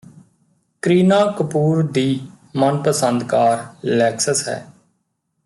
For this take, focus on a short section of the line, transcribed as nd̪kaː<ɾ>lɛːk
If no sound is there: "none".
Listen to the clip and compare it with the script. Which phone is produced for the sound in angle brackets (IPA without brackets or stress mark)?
ɾ